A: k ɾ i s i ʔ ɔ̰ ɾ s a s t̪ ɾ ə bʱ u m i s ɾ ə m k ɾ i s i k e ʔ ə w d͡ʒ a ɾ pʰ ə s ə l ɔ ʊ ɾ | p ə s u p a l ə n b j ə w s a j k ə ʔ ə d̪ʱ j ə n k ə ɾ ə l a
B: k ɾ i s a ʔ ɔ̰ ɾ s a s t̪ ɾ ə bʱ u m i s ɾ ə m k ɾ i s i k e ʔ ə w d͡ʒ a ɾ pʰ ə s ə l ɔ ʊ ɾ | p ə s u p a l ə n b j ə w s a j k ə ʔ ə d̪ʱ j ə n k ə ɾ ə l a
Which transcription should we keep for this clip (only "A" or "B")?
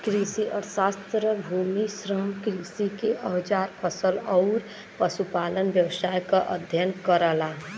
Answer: A